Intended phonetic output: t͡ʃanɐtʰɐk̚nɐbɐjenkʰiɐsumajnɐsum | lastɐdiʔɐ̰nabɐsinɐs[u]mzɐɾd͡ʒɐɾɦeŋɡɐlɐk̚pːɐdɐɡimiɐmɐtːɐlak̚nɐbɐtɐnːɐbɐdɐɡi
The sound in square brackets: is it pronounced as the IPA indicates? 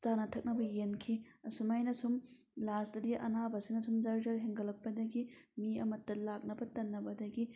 yes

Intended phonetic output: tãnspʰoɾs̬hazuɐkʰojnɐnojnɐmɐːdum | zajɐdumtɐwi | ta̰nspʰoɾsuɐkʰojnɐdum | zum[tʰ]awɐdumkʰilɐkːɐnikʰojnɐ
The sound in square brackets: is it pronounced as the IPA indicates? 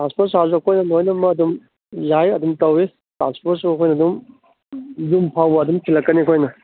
no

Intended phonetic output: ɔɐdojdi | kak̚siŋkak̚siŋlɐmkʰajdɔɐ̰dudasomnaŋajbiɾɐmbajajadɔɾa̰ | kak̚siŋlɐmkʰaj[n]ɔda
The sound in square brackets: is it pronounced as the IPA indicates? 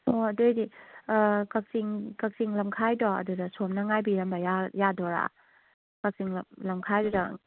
no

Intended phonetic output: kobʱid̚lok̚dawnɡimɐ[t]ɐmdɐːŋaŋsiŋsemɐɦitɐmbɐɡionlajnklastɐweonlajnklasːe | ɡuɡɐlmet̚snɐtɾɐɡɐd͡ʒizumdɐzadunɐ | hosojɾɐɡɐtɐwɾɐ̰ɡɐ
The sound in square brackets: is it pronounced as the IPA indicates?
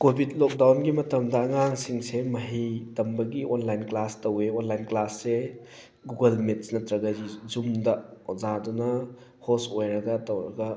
yes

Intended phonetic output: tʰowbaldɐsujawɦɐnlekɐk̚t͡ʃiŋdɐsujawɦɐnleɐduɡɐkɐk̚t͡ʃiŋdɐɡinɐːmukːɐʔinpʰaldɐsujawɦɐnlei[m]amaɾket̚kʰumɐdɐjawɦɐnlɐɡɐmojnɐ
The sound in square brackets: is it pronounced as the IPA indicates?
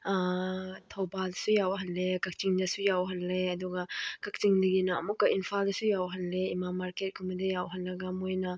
yes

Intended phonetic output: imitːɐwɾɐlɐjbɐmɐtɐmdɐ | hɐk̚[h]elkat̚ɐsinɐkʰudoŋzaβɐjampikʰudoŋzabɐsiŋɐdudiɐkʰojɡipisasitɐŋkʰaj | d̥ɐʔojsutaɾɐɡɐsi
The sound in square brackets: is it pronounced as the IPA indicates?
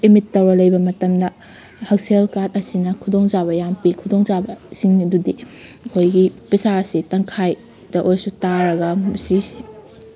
no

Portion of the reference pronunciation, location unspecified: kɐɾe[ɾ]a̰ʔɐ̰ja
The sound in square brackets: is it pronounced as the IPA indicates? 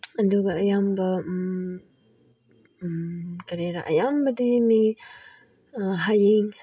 yes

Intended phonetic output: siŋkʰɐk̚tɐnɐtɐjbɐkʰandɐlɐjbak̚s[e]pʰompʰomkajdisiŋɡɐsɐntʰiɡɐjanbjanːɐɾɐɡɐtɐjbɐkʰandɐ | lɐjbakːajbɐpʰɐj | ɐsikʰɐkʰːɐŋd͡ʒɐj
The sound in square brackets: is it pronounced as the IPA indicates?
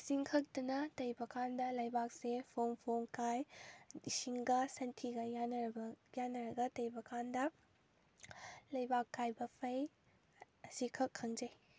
yes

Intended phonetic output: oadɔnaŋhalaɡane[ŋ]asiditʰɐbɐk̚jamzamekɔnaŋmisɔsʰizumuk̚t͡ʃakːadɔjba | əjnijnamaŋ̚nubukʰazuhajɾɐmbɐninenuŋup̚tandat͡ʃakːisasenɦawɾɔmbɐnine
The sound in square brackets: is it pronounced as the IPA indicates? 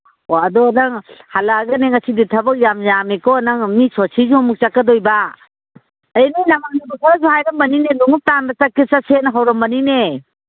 yes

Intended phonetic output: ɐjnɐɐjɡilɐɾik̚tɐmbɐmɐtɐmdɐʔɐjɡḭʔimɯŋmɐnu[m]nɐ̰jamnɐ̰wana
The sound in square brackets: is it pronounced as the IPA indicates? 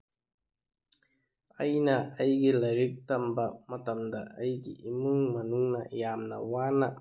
no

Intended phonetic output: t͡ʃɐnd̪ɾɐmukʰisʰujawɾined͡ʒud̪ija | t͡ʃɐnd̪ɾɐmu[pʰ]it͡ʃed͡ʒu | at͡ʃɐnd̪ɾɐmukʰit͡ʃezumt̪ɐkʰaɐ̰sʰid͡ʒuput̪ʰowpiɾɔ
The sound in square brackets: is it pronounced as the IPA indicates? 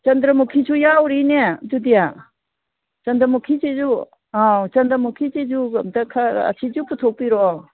no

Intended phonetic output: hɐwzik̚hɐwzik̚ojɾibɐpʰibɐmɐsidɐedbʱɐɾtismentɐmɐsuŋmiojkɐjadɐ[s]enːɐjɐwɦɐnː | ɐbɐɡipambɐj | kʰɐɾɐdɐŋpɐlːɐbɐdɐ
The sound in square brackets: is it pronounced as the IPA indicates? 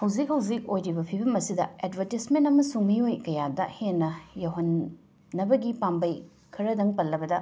no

